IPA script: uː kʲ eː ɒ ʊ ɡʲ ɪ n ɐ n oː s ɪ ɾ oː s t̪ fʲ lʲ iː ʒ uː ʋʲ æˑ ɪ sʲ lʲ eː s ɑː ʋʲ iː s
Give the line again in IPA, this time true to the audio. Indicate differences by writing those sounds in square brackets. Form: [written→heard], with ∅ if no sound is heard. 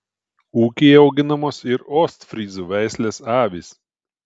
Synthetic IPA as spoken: uː kʲ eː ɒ ʊ ɡʲ ɪ n ɐ [n→m] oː s ɪ ɾ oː s t̪ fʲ [lʲ→ɾʲ] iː [ʒ→z] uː ʋʲ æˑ ɪ sʲ lʲ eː s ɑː ʋʲ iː s